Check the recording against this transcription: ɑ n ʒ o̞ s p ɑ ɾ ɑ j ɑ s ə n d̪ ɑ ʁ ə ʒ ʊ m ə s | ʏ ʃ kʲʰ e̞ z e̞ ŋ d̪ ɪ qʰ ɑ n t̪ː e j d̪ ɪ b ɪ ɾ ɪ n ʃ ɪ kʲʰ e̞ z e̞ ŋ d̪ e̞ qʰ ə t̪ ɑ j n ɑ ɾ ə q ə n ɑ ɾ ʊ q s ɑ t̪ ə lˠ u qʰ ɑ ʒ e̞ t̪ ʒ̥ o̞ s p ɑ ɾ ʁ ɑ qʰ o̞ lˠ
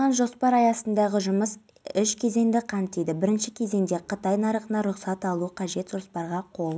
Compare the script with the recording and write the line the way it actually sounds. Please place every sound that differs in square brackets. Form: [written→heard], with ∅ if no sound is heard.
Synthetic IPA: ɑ n ʒ o̞ s p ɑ ɾ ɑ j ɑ s ə n d̪ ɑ ʁ ə ʒ ʊ m ə s | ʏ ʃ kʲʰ e̞ z e̞ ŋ d̪ ɪ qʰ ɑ n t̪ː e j d̪ ɪ b ɪ ɾ ɪ n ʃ ɪ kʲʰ e̞ z e̞ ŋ d̪ e̞ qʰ ə t̪ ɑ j n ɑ ɾ ə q ə n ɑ ɾ ʊ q s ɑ t̪ [ə→ɑ] lˠ u qʰ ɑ ʒ e̞ t̪ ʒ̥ o̞ s p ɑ ɾ ʁ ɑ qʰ o̞ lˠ